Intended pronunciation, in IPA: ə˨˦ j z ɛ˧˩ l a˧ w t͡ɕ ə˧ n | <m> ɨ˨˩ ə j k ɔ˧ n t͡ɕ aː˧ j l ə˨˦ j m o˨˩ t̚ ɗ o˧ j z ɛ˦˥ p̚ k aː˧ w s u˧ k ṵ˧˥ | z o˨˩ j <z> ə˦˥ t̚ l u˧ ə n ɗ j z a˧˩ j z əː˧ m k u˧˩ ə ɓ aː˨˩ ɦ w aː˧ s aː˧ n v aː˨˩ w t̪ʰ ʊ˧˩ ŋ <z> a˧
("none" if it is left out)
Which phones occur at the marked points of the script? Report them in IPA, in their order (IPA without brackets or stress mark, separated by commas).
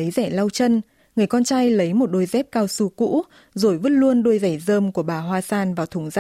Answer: ŋ, v, z